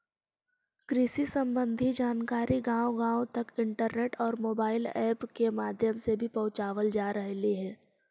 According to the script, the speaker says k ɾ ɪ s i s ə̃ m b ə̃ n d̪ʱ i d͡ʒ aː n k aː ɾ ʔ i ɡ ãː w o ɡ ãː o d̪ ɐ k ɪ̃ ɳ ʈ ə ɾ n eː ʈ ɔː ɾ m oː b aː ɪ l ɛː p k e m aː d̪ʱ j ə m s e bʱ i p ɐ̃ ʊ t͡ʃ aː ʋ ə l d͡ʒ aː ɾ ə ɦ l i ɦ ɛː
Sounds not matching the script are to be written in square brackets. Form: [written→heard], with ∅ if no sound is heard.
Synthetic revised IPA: k ɾ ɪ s i s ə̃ m b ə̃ n d̪ʱ i d͡ʒ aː n k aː ɾ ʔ i ɡ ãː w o ɡ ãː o [d̪→t̪] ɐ k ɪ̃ ɳ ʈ ə ɾ n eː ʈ ɔː ɾ m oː b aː ɪ l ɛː p k e m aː d̪ʱ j ə m s e bʱ i p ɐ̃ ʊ t͡ʃ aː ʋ ə l d͡ʒ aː ɾ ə ɦ l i ɦ ɛː